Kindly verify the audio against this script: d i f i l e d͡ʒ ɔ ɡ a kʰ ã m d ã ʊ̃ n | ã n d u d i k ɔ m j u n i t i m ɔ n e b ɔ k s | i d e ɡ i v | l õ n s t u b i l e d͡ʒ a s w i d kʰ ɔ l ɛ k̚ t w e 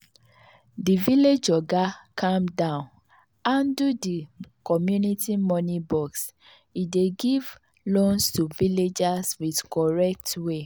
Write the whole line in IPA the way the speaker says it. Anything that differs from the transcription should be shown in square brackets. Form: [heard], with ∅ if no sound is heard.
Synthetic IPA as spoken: d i [v] i l e d͡ʒ ɔ ɡ a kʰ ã m d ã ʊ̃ n | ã n d u d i k ɔ m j u n i t i m ɔ n [i] b ɔ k s | i d e ɡ i v | l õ n s t u [v] i l e d͡ʒ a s w i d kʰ ɔ [ɹ] ɛ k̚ t w e